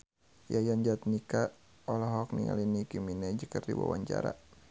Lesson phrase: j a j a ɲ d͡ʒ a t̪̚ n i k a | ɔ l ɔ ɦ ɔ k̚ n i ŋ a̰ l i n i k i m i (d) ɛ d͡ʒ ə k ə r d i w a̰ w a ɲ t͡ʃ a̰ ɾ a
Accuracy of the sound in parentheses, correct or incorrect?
incorrect